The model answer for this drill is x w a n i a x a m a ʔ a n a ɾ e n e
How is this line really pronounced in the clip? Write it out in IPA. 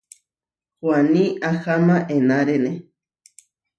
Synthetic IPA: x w a n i a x a m a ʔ e n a ɾ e n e